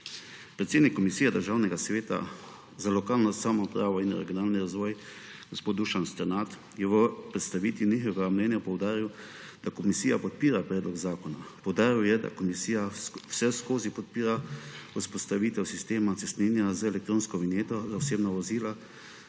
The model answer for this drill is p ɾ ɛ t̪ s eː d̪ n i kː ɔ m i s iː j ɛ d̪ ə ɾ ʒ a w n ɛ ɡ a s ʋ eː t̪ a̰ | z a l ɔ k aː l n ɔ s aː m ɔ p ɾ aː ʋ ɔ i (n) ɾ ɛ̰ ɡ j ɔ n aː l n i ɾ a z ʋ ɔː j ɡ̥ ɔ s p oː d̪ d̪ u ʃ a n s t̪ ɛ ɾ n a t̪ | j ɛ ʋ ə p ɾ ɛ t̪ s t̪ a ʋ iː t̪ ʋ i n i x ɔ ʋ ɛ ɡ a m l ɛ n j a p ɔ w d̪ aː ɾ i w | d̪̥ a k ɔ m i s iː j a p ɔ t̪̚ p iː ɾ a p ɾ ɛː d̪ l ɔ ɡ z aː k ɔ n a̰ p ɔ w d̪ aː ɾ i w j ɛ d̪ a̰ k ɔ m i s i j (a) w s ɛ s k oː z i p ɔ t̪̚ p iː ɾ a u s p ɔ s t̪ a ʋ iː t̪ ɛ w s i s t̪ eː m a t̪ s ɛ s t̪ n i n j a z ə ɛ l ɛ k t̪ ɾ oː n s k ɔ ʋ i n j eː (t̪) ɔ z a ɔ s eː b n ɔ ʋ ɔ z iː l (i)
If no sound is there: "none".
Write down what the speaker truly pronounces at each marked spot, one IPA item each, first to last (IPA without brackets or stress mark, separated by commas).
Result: n, a, t̪, a